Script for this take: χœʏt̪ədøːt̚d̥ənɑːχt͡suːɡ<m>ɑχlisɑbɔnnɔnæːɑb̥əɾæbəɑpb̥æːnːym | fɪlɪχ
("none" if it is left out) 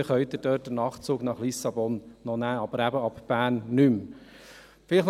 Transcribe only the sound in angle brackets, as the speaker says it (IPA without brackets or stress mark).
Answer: n